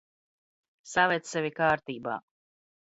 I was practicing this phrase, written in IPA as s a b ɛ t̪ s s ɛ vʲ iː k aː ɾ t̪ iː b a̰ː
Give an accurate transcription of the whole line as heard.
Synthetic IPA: s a v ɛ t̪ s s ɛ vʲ i k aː ɾ t̪ iː b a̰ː